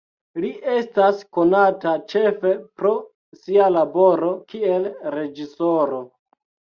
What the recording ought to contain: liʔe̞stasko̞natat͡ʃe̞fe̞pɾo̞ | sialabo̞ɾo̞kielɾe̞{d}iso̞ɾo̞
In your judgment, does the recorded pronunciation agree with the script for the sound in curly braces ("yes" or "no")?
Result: no